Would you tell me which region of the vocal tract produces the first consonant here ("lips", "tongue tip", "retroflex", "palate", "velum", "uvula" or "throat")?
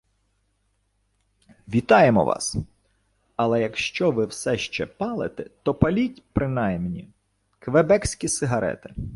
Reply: lips